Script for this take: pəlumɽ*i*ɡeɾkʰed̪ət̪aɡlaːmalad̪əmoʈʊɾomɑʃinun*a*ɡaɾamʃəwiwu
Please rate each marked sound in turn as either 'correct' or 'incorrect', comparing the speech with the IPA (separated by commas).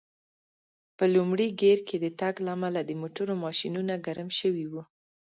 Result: correct, correct